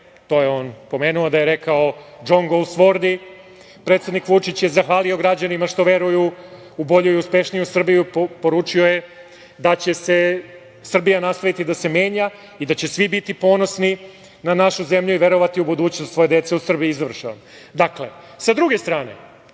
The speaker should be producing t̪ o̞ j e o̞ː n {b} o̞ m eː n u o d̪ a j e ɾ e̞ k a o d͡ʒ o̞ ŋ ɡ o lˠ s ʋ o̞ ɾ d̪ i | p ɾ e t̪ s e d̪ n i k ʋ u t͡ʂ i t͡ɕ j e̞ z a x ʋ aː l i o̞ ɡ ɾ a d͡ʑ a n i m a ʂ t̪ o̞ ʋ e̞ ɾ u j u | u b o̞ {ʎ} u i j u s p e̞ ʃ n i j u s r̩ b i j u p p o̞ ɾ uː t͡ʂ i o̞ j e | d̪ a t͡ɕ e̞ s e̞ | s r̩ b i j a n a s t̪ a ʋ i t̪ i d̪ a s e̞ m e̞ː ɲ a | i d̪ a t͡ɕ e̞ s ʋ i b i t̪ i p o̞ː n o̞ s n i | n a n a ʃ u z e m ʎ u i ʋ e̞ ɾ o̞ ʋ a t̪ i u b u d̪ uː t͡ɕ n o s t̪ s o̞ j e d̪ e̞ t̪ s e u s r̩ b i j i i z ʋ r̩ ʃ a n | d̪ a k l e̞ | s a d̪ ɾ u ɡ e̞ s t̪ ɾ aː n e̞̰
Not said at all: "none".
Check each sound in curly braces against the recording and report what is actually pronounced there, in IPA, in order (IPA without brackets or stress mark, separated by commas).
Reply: p, ʎ